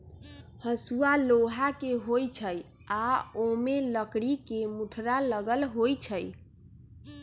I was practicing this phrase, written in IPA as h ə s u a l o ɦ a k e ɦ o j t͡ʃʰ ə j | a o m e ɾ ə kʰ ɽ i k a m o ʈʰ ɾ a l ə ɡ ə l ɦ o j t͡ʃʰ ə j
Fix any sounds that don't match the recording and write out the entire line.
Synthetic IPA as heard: h ə s u a l o ɦ a k e ɦ o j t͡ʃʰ ə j | a o m e l ə k ɽ i k e m u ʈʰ ɾ a l ə ɡ ə l ɦ o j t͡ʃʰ ə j